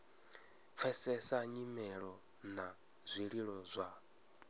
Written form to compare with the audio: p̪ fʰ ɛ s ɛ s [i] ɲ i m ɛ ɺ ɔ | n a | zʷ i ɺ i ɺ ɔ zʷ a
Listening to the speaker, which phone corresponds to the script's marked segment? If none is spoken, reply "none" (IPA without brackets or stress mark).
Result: a